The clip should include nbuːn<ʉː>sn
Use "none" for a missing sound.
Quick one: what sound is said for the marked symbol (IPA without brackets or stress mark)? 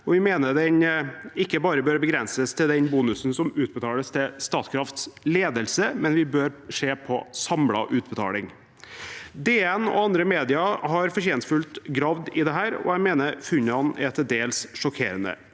ʉ